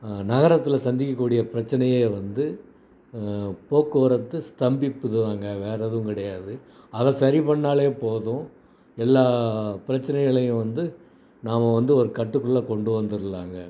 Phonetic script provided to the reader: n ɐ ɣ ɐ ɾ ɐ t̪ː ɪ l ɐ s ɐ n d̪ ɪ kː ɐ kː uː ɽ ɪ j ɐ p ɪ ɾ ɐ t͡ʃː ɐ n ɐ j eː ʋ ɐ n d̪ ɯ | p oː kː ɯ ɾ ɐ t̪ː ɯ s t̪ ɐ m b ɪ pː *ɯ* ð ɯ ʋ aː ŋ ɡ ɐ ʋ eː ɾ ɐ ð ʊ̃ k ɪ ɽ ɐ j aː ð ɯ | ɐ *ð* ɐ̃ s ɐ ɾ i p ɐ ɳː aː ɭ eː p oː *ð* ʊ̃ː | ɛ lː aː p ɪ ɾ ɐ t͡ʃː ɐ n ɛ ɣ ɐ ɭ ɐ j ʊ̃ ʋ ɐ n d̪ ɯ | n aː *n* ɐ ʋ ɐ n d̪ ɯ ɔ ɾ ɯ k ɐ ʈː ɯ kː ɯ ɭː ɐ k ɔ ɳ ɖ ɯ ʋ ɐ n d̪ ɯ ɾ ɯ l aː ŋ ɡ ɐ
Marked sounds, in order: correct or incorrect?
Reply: correct, correct, correct, incorrect

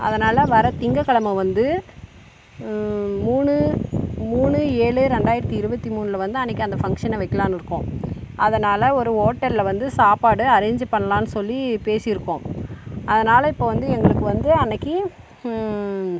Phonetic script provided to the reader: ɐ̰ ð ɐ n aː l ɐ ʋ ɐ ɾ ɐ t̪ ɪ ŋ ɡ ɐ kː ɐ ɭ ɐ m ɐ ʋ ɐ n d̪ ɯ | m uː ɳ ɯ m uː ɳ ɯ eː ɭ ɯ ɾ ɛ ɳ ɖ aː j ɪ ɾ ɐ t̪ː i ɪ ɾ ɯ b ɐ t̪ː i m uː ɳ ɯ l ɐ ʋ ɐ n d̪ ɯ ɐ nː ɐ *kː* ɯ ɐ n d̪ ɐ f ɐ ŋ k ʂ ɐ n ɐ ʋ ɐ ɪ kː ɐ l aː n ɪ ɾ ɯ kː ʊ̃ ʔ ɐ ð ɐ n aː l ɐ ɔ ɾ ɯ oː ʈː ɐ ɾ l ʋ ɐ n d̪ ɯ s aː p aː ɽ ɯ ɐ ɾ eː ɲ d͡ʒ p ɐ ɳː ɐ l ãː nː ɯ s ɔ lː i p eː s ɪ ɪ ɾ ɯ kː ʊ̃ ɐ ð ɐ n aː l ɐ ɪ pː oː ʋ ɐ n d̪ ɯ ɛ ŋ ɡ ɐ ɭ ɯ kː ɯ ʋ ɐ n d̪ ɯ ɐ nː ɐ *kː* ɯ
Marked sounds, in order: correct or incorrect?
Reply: correct, correct

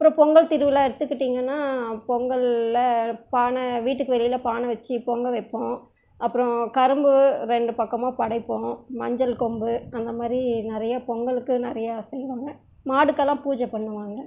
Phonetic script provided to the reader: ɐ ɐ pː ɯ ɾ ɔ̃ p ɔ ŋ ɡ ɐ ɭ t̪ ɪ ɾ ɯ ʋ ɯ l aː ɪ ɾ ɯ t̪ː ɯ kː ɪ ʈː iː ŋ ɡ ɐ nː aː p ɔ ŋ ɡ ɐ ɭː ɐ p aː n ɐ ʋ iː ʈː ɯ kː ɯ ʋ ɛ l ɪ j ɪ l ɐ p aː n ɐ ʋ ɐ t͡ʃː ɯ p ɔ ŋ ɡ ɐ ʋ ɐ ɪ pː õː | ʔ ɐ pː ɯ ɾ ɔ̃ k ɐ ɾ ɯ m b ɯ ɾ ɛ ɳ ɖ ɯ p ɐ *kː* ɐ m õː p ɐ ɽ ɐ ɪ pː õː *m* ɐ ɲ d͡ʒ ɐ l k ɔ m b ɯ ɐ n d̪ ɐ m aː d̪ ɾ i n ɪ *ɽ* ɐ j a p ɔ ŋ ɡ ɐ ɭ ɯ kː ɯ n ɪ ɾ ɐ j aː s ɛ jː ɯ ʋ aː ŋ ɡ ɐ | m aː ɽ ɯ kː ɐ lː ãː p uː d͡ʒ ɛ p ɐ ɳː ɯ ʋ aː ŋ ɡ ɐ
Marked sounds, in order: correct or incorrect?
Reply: correct, correct, incorrect

